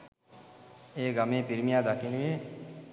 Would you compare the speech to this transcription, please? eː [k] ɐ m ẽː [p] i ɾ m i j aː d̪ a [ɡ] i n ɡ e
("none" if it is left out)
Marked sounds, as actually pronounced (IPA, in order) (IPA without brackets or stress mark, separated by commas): ɡ, p, k